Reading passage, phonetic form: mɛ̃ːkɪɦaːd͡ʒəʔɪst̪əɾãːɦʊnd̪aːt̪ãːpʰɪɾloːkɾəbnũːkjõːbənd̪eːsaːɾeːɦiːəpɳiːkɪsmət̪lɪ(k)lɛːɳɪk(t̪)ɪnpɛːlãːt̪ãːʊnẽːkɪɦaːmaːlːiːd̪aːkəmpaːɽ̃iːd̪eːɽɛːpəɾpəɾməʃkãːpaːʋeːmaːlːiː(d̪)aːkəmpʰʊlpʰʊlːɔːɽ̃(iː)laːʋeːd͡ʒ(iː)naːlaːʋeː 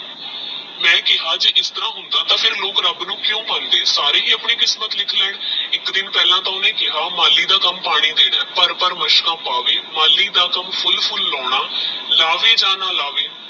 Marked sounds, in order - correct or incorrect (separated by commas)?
incorrect, incorrect, correct, incorrect, incorrect